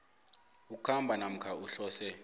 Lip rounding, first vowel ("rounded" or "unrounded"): rounded